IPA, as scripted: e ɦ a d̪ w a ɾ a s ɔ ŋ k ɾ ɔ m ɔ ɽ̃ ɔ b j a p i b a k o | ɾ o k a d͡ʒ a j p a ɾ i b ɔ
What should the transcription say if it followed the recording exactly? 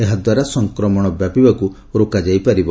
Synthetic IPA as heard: e ɦ a d̪ w a ɾ a s ɔ ŋ k ɾ ɔ m ɔ ɽ̃ ɔ b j a p i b a k u | ɾ o k a d͡ʒ a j p a ɾ i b ɔ